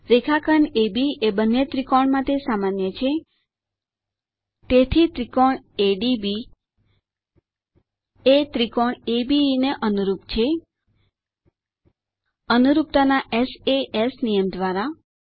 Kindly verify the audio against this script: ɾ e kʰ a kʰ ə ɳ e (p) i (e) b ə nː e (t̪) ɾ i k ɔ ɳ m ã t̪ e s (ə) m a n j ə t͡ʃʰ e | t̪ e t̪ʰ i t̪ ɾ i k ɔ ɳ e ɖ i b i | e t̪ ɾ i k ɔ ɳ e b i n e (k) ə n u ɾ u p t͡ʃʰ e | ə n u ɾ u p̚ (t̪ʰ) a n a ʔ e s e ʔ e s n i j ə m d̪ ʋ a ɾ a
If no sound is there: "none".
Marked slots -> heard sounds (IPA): b, e, t̪, a, ʔ, t̪

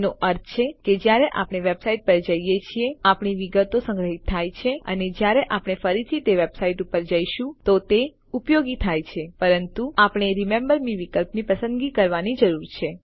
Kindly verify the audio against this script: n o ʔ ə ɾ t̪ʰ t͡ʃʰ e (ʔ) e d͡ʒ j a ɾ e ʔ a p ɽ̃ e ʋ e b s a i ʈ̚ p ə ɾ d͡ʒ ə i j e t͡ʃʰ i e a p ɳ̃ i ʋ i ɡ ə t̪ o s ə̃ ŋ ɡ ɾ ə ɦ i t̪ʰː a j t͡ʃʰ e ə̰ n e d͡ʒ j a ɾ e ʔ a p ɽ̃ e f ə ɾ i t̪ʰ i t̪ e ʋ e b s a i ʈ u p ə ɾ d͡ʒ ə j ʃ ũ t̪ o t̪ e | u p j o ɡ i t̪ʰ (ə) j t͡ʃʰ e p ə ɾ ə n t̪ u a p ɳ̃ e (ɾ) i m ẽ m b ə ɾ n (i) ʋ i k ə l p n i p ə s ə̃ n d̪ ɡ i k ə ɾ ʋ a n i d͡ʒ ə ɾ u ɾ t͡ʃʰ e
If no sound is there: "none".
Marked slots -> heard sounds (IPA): k, a, ɾ, i

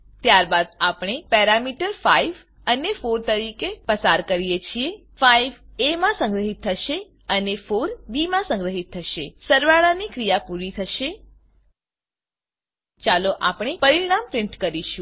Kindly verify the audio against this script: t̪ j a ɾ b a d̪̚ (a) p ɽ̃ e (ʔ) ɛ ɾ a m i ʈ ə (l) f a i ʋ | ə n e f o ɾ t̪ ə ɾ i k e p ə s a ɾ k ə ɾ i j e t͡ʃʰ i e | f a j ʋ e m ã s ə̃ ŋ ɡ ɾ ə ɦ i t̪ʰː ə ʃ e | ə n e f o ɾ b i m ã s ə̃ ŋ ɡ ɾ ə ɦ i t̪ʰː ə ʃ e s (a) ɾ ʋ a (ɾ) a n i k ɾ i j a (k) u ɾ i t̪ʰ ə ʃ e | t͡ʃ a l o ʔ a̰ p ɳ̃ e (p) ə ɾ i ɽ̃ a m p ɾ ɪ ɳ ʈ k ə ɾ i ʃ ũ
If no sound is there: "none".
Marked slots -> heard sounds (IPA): a, p, ɾ, ə, ɭ, p, p

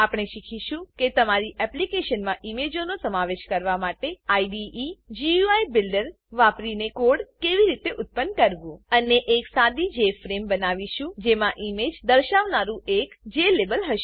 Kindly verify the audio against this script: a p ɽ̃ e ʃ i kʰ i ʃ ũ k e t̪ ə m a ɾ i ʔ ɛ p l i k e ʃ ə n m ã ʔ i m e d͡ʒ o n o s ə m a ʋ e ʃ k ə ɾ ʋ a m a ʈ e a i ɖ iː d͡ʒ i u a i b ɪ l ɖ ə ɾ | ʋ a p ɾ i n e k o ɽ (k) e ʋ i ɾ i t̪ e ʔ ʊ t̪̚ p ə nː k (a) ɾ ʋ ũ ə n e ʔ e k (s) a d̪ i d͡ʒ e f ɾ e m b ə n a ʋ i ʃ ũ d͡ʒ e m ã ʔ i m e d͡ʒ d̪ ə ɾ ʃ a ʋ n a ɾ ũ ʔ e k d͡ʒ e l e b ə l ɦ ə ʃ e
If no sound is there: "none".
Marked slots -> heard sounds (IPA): k, ə, s

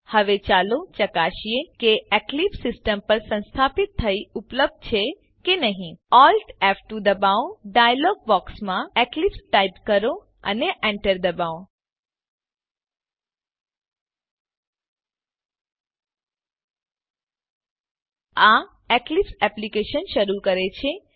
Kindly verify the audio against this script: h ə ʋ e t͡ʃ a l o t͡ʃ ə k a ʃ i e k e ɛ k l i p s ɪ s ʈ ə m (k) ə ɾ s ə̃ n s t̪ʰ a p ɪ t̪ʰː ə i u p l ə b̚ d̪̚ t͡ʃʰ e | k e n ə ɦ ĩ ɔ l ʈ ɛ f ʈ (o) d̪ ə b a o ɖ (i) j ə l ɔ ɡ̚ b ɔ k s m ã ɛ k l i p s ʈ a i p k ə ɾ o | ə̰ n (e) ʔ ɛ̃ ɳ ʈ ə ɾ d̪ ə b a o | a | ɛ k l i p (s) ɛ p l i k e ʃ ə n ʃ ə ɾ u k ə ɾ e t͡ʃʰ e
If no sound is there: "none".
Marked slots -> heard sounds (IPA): p, u, a, e, s

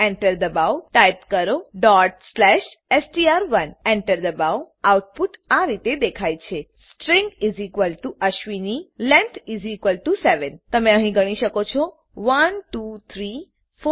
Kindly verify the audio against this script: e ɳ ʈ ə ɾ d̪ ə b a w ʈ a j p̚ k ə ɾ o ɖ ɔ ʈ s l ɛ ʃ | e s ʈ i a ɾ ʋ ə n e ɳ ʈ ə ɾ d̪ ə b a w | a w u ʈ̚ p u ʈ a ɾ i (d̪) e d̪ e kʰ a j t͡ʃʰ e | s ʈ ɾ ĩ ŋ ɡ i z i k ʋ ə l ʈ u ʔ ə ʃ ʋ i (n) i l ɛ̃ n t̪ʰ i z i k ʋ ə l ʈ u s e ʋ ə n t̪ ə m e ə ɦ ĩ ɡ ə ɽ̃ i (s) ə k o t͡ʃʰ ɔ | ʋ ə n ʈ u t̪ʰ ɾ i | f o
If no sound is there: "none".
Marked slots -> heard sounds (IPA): t̪, n, ʃ

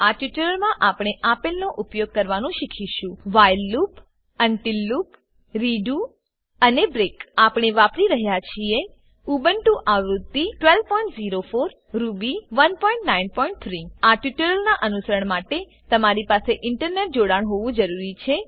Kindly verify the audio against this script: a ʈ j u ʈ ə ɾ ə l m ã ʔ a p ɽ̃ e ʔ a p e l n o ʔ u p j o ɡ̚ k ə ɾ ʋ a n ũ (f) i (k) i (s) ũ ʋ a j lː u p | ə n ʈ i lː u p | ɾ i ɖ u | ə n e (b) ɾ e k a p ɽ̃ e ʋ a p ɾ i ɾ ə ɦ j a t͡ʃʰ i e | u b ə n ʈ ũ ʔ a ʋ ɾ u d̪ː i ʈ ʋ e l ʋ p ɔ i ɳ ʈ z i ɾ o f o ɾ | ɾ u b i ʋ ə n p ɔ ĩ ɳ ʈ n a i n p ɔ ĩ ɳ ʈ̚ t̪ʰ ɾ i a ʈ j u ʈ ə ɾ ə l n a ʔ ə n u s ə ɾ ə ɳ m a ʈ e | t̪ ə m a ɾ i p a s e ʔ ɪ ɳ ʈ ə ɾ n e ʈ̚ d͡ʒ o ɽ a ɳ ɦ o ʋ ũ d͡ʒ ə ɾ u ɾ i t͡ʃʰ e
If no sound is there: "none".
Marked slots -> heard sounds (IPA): ʃ, kʰ, ʃ, b

